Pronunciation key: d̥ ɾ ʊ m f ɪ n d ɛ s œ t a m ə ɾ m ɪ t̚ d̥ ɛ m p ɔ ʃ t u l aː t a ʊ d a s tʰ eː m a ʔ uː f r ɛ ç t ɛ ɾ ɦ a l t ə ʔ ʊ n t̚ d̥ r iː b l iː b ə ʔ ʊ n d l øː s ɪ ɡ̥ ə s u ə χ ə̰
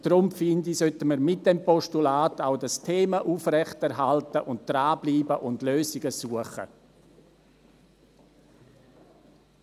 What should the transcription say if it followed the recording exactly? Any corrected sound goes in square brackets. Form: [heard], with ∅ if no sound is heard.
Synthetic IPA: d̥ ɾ ʊ m f ɪ n d [i] s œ t [ə] m ə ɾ m ɪ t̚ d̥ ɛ m p ɔ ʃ t u l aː t a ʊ d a s tʰ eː m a ʔ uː f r ɛ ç t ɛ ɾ ɦ a l t ə ʔ ʊ n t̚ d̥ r [aː] b l iː b ə ʔ ʊ n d l øː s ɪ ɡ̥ ə s u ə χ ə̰